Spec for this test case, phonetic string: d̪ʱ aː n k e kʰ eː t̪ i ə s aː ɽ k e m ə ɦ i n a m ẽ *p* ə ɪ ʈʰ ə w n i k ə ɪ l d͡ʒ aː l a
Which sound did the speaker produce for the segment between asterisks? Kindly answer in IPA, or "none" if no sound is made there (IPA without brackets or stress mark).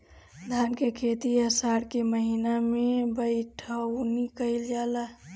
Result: b